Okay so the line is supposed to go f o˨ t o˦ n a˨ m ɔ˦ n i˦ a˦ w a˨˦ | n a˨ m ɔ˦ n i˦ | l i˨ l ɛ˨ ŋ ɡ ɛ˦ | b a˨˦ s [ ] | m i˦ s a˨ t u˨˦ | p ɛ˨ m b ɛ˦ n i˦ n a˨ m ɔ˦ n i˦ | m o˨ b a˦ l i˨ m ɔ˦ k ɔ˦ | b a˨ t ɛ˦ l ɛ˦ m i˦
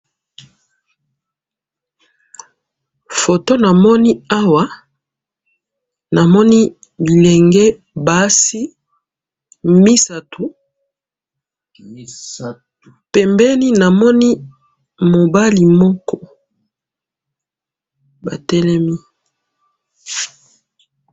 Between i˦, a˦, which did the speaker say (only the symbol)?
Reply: i˦